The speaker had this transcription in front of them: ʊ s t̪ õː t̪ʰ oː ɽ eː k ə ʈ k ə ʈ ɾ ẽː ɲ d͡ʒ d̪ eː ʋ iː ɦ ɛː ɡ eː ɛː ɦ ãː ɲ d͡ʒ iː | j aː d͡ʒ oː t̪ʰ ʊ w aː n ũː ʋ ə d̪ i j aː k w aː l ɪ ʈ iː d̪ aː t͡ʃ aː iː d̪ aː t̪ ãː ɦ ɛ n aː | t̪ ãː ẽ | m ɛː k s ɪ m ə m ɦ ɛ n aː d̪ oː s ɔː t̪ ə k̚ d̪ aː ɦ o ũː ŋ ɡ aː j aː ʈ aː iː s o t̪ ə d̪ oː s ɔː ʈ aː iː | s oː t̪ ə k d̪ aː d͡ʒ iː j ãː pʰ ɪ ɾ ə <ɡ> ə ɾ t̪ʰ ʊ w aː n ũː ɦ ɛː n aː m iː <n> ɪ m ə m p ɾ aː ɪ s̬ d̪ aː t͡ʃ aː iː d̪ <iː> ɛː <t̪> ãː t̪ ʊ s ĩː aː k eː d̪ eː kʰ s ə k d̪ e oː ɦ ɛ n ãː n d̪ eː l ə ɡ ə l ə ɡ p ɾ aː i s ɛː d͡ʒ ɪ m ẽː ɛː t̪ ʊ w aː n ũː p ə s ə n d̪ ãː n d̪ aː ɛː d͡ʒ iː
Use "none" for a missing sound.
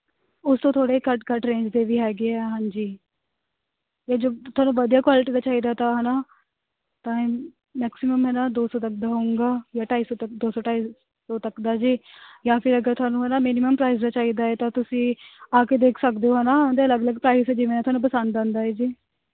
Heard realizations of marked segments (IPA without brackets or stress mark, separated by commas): ɡ, n, aː, t̪